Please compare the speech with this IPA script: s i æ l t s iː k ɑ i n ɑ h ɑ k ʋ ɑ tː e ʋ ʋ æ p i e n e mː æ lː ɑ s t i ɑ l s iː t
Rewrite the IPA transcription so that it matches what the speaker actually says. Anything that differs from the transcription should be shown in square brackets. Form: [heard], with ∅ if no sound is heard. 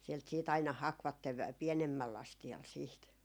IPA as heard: s i [e] l t s iː [t] ɑ i n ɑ h ɑ k ʋ ɑ tː e ʋ ʋ æ p i e n e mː æ lː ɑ s t i ɑ l s iː t